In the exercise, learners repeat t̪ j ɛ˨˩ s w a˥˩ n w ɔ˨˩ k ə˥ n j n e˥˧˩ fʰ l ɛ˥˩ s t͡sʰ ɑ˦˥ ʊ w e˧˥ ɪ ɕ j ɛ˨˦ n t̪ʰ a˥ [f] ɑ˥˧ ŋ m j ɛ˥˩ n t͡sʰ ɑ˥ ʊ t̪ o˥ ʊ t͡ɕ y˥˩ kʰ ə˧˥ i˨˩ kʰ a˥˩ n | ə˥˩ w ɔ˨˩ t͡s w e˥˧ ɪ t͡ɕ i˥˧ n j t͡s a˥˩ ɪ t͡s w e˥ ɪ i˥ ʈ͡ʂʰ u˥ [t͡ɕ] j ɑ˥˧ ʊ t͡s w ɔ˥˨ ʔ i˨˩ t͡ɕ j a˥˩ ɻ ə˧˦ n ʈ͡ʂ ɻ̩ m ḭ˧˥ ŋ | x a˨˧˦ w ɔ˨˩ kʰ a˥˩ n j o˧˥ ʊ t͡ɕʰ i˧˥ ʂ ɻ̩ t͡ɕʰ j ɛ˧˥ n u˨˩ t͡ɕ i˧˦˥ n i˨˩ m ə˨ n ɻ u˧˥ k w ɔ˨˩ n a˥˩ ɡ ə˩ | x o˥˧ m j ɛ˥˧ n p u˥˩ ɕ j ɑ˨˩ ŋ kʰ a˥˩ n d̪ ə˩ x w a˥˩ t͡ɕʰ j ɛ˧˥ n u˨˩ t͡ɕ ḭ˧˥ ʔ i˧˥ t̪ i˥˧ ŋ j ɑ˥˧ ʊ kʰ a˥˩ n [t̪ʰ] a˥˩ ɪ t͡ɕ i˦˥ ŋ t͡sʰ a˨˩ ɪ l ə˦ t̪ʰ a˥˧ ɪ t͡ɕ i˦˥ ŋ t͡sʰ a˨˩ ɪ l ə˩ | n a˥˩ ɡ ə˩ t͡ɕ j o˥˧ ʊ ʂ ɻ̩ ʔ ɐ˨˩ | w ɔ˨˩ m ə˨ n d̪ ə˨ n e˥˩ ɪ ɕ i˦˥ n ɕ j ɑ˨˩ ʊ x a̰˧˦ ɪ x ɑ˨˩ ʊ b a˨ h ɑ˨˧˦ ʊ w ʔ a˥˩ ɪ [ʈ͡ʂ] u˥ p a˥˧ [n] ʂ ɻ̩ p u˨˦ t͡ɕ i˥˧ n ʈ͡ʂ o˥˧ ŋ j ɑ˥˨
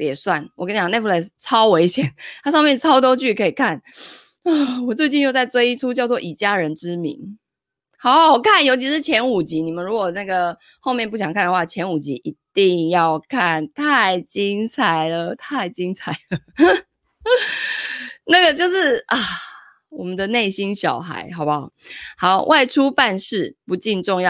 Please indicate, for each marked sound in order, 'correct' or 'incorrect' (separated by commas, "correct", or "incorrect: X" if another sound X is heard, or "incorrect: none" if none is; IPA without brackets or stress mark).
incorrect: ʂ, correct, correct, incorrect: ʈ͡ʂʰ, correct